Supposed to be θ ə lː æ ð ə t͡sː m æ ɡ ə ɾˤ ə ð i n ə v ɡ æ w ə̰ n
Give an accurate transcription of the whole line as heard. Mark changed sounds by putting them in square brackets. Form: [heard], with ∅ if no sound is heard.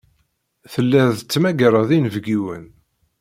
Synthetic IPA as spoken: θ ə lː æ ð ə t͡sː m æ ɡ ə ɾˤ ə ð i n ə v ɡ [i] w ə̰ n